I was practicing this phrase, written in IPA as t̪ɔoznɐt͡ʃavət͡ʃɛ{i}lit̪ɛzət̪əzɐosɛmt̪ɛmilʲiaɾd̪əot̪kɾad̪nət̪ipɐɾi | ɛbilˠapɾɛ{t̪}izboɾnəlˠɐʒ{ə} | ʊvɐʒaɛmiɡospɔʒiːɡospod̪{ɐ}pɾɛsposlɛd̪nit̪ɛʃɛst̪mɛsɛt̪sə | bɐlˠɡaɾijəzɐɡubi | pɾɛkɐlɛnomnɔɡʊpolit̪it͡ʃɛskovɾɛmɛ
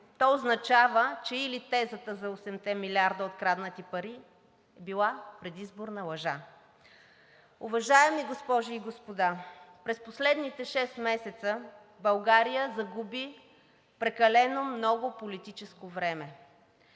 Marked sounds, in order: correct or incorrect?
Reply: correct, incorrect, incorrect, incorrect

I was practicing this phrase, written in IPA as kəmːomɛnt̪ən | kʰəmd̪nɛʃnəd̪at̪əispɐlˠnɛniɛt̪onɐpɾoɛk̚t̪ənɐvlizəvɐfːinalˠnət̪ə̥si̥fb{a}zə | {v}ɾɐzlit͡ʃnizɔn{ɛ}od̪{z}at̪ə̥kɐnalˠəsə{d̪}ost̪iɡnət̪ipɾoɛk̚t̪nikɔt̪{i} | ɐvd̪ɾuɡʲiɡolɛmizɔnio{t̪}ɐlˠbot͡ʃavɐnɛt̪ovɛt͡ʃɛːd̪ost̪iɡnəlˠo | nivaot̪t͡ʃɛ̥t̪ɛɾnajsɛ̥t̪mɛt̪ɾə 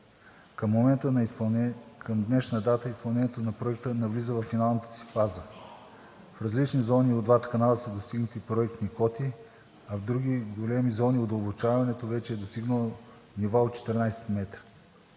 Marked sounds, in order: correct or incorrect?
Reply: correct, incorrect, incorrect, incorrect, correct, correct, incorrect

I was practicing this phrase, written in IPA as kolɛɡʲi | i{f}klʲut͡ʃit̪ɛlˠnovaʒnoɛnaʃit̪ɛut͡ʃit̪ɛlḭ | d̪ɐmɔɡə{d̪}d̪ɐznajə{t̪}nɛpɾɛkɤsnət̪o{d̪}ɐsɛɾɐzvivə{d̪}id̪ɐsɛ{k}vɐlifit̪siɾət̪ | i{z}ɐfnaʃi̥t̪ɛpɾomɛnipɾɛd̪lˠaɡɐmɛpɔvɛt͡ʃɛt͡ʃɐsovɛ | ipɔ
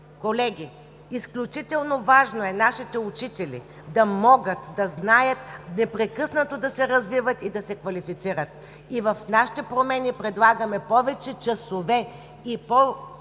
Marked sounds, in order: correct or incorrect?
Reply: incorrect, incorrect, correct, correct, incorrect, correct, incorrect

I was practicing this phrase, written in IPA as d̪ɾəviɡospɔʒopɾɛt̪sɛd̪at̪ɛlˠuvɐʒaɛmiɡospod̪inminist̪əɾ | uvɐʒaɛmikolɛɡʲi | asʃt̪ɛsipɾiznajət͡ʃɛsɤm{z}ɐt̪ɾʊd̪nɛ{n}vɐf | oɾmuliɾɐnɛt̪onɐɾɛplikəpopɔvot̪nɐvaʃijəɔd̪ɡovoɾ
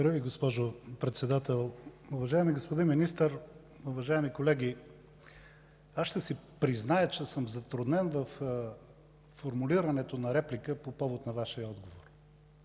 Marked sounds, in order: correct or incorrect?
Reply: correct, correct

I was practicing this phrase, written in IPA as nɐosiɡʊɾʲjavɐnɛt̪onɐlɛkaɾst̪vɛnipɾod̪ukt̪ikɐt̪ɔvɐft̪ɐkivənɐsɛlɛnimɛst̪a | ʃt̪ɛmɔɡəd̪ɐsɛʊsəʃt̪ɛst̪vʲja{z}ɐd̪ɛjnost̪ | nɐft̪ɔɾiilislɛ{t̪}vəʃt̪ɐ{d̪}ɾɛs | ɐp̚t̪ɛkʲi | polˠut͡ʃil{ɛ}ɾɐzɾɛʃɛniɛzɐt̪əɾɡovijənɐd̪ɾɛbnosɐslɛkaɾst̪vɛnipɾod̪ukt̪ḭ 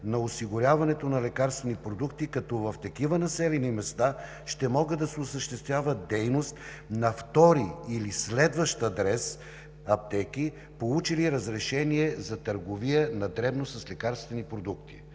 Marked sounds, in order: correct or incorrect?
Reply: incorrect, incorrect, correct, incorrect

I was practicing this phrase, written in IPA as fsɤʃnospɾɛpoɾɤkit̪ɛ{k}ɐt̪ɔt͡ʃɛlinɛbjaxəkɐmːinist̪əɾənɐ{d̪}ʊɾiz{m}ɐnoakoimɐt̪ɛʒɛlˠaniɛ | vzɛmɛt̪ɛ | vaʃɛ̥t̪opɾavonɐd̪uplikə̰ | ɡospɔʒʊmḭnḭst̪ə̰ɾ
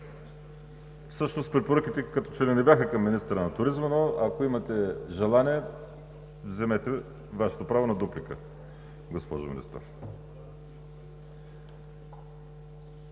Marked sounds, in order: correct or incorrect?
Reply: correct, incorrect, correct

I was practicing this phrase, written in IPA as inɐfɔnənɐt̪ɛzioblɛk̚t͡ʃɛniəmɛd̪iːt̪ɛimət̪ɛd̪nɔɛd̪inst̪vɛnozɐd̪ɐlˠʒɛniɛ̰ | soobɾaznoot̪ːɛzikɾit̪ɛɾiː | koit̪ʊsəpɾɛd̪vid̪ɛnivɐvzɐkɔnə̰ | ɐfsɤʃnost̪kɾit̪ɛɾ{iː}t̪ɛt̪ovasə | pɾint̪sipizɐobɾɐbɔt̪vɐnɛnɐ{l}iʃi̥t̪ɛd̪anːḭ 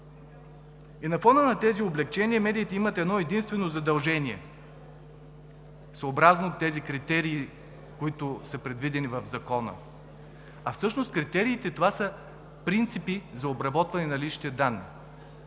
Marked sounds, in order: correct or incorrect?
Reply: correct, correct

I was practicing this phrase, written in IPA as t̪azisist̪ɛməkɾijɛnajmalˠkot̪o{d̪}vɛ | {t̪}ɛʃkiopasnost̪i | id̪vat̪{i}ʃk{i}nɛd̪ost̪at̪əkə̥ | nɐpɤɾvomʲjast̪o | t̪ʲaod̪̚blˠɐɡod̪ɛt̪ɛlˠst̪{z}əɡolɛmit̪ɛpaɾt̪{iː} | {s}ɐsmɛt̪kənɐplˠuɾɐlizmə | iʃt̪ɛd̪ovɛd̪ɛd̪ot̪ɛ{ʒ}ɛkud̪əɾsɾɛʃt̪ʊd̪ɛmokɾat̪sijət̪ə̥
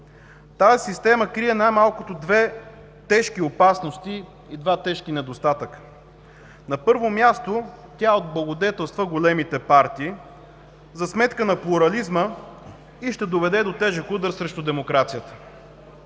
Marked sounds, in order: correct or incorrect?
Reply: correct, correct, incorrect, correct, incorrect, correct, incorrect, correct

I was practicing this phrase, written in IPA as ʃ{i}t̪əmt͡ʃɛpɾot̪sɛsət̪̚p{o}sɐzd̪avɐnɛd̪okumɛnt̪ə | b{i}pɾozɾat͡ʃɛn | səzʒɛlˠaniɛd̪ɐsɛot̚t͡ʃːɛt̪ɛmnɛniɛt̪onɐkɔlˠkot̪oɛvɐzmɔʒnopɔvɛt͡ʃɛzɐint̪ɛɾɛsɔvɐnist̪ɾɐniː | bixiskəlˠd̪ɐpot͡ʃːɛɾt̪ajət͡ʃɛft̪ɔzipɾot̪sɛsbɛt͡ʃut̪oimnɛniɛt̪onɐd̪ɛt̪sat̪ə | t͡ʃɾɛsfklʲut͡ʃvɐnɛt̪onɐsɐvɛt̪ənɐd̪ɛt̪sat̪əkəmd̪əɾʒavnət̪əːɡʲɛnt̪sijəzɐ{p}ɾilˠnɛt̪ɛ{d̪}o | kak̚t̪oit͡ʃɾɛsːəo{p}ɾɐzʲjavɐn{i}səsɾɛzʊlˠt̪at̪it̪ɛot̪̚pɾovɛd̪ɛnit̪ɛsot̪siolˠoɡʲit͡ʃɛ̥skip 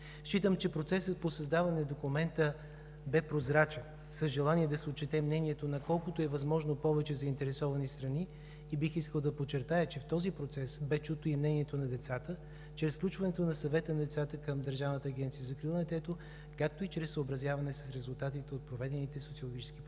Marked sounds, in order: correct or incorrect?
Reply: correct, correct, incorrect, incorrect, incorrect, incorrect, incorrect

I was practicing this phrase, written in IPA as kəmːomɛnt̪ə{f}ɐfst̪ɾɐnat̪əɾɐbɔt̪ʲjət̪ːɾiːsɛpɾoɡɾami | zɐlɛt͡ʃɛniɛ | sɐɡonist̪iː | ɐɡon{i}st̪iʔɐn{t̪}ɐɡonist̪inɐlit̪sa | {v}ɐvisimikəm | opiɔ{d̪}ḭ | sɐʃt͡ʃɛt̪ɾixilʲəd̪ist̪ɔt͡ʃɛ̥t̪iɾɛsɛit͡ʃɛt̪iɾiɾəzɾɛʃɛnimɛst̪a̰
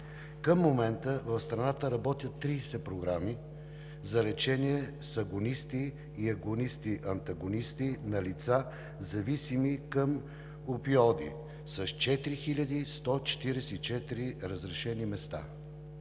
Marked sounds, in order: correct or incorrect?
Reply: incorrect, correct, correct, incorrect, correct

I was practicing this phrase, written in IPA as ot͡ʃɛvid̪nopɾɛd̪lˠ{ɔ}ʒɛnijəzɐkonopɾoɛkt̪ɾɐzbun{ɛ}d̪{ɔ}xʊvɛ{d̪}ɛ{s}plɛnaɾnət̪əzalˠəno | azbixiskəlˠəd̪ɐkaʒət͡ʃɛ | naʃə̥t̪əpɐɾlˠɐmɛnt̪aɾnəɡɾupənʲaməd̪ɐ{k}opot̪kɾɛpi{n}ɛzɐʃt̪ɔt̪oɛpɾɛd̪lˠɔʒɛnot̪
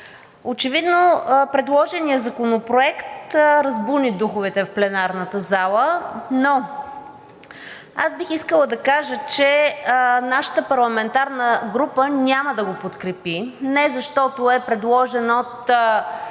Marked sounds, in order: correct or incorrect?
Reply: correct, incorrect, incorrect, incorrect, incorrect, incorrect, correct

